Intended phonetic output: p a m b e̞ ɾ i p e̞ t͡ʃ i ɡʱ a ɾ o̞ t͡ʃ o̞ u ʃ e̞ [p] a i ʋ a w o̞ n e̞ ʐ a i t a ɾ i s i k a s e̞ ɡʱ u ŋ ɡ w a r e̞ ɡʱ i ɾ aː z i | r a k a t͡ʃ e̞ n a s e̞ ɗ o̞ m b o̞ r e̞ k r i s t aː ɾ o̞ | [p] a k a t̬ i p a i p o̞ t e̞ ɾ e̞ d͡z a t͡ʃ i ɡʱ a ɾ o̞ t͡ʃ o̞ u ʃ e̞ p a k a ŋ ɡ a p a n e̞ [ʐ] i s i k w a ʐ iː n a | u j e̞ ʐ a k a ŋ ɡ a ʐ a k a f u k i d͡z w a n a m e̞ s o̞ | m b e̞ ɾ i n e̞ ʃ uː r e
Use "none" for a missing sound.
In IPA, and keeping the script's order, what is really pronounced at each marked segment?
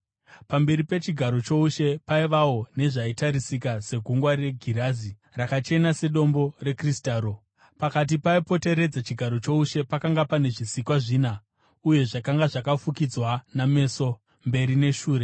p, p, ʐ

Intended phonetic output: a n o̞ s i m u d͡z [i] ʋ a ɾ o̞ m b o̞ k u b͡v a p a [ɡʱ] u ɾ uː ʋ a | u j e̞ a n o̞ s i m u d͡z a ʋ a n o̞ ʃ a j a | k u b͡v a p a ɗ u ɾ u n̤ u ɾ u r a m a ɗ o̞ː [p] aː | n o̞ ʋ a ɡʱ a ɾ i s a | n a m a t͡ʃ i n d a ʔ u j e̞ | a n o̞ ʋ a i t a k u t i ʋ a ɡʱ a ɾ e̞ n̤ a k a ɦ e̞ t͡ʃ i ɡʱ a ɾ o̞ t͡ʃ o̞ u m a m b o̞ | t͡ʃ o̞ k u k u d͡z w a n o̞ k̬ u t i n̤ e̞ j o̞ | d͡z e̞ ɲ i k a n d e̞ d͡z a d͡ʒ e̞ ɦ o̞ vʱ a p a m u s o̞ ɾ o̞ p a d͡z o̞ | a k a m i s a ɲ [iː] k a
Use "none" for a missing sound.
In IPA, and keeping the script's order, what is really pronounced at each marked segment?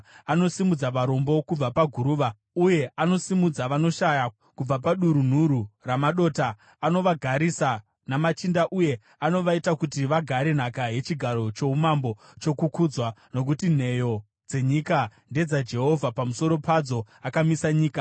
a, ɡʱ, t, iː

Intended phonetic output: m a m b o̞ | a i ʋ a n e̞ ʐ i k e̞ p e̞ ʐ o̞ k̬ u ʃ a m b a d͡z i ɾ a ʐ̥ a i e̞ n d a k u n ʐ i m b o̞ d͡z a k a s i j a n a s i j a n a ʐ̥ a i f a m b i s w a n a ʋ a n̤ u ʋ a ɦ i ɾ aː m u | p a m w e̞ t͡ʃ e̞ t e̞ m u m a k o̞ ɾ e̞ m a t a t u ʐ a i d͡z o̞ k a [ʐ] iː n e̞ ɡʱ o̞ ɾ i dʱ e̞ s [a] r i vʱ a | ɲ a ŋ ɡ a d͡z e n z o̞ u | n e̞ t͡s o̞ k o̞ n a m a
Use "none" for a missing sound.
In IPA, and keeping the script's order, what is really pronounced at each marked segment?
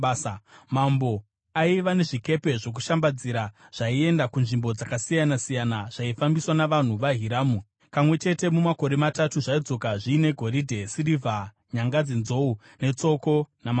ʐ, i

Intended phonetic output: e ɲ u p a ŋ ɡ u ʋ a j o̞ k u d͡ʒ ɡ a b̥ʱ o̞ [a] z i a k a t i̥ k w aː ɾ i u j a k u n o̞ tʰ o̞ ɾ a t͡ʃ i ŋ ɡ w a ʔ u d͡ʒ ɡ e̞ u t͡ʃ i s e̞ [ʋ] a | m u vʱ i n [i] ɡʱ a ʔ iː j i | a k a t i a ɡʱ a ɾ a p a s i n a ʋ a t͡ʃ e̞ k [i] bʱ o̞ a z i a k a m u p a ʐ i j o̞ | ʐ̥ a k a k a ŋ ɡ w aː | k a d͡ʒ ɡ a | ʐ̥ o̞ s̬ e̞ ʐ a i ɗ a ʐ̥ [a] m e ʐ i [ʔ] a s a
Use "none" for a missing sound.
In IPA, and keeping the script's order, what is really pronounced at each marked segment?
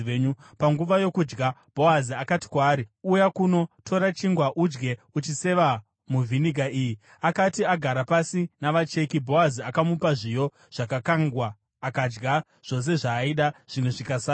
a, ʋ, i, i, i, k

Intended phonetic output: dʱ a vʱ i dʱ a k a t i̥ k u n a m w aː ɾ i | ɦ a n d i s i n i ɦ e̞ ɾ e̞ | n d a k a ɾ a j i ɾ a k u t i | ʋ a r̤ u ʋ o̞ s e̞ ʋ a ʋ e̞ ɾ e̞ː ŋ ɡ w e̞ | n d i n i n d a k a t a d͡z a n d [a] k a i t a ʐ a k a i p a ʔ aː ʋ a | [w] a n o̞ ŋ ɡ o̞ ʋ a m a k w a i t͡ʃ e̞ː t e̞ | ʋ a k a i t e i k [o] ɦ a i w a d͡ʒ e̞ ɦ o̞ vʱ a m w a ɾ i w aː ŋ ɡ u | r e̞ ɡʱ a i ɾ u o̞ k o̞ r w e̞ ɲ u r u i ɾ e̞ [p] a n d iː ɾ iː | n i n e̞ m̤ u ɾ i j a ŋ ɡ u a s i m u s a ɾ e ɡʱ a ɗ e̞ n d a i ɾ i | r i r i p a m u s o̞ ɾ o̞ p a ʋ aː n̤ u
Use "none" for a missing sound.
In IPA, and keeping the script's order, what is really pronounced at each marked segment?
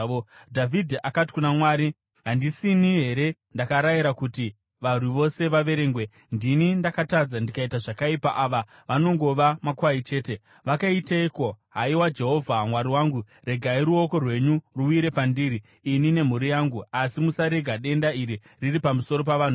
i, ʋ, o, p

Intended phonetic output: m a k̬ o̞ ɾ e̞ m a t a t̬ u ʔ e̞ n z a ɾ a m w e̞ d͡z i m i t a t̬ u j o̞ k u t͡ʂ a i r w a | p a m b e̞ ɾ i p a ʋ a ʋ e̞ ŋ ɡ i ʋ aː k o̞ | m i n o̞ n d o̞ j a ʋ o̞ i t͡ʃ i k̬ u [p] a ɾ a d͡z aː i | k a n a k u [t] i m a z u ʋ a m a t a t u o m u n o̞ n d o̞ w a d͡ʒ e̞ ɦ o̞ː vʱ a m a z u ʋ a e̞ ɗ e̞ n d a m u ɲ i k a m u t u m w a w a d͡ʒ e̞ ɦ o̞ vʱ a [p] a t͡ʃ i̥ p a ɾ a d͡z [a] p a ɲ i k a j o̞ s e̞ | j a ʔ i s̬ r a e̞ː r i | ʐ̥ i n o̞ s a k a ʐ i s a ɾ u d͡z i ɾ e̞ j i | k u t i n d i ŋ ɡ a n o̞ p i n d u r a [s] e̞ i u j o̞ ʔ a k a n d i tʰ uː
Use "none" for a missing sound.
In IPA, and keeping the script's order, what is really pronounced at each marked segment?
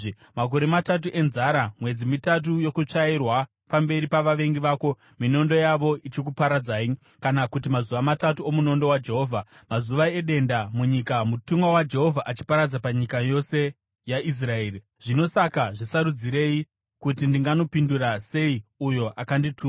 p, t, ʔ, a, s

